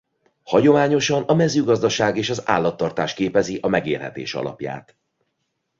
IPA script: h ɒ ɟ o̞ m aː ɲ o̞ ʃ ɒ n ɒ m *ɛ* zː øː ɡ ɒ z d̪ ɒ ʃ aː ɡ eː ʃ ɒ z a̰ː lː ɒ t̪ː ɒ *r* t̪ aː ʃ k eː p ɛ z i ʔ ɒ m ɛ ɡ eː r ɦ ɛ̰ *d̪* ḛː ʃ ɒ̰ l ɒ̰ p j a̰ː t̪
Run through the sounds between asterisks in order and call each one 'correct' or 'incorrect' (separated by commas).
correct, correct, incorrect